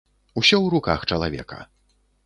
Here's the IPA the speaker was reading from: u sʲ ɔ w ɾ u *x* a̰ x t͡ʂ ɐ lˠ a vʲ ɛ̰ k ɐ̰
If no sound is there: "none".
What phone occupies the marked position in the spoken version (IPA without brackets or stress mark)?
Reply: k